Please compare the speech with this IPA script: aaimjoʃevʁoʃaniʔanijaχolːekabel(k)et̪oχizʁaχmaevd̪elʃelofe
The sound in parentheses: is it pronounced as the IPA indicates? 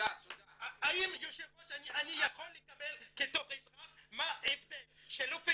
yes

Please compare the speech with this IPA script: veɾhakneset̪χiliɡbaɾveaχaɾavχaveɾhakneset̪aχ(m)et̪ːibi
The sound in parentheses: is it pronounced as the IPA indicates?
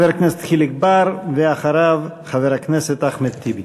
yes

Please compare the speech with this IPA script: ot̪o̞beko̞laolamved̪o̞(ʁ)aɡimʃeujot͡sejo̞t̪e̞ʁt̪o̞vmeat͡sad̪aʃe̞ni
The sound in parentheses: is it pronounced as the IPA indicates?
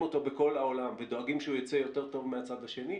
no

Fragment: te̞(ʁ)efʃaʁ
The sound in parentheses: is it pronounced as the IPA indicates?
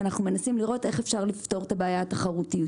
no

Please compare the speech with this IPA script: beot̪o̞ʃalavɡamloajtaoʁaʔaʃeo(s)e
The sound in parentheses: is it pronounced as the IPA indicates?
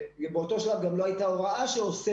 yes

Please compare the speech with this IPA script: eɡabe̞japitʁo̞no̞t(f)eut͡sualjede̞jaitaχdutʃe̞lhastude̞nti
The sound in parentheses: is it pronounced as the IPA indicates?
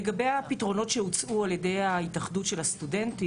no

